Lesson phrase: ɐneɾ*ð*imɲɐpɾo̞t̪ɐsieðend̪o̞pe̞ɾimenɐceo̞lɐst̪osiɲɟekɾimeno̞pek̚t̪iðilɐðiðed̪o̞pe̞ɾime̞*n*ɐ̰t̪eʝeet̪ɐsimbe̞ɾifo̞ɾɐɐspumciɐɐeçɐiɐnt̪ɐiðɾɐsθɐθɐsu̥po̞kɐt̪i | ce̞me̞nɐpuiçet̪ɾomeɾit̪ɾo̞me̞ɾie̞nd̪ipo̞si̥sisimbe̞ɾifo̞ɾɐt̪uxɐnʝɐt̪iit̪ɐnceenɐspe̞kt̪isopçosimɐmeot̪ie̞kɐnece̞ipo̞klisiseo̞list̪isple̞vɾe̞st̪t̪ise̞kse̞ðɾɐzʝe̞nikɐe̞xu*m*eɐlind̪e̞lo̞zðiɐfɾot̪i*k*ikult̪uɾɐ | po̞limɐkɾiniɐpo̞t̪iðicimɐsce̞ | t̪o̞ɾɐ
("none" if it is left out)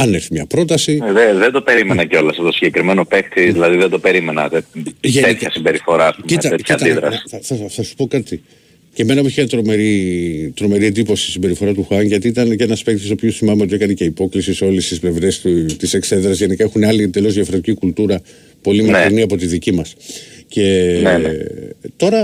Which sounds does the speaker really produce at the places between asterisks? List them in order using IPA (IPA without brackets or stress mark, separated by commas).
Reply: θ, n, n, c